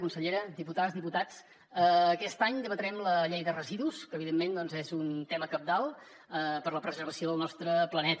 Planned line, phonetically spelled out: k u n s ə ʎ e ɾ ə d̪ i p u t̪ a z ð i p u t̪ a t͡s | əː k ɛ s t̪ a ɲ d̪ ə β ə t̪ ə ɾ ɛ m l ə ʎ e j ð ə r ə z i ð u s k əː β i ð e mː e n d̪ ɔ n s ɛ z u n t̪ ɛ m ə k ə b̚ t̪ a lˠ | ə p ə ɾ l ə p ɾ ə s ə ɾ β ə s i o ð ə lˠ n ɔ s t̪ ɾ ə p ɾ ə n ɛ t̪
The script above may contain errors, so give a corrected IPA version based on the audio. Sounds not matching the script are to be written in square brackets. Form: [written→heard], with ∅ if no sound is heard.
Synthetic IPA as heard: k u n s ə ʎ e ɾ ə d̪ i p u t̪ a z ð i p u t̪ a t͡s | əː k ɛ s t̪ a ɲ d̪ ə β ə t̪ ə ɾ ɛ m l ə ʎ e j ð ə r ə z i ð u s k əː β i ð e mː e n d̪ ɔ n [s→z] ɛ z u n t̪ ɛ m ə k ə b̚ [t̪→d̪] a lˠ | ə p ə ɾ l ə p ɾ ə [s→z] ə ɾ β ə s i o ð ə lˠ n ɔ s t̪ ɾ ə p [ɾ→l] ə n ɛ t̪

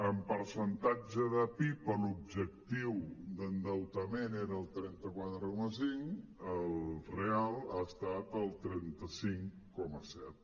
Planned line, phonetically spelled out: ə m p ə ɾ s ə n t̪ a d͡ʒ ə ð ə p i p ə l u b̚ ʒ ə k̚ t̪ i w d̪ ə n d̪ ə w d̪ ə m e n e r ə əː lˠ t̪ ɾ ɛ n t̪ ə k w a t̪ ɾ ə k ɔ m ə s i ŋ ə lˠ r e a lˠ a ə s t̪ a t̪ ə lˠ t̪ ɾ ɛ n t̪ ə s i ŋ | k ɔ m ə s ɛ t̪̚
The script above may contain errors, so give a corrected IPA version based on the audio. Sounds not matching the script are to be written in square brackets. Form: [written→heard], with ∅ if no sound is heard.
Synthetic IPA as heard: ə m p ə ɾ s ə n t̪ a d͡ʒ ə ð ə p i p ə l u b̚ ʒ ə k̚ t̪ i w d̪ ə n d̪ ə w [d̪→t̪] ə m e n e [r→ɾ] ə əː lˠ t̪ ɾ ɛ n t̪ ə k w a t̪ ɾ ə k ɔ m ə s i ŋ ə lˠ r e a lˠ a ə s t̪ a t̪ ə lˠ t̪ ɾ ɛ n t̪ ə s i ŋ | k ɔ m ə s ɛ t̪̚

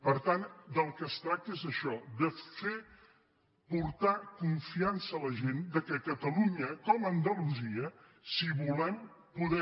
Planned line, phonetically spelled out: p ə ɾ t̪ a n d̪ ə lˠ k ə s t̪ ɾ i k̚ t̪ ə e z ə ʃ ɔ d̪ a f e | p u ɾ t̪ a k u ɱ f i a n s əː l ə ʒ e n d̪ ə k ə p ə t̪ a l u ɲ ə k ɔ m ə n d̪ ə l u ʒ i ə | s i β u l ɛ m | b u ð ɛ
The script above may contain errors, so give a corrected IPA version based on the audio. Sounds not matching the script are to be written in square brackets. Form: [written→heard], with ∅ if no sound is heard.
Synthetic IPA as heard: p ə ɾ t̪ a n d̪ ə lˠ k ə s t̪ ɾ [i→a] k̚ t̪ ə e z ə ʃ ɔ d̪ [a→ə] f e | p u ɾ t̪ a k u ɱ f i a n s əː l ə ʒ e n d̪ ə k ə [p→k] ə t̪ [a→ə] l u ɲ ə k ɔ m ə n d̪ ə l u [ʒ→z] i ə | s i β u l ɛ m | [b→p] u ð ɛ

